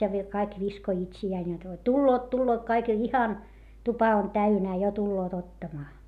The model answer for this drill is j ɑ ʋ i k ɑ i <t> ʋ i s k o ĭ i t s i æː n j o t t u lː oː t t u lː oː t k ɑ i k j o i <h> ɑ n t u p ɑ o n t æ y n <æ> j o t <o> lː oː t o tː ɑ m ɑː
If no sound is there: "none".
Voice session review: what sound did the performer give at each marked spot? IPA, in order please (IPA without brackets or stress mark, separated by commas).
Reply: k, h, æː, u